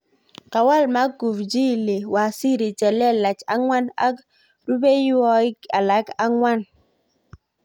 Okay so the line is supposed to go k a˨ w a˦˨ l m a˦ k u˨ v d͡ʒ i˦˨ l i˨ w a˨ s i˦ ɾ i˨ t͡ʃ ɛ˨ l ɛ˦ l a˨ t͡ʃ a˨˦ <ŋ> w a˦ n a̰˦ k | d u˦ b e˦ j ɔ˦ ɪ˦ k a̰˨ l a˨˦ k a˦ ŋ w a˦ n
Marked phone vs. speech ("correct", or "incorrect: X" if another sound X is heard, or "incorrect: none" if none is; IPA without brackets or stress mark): correct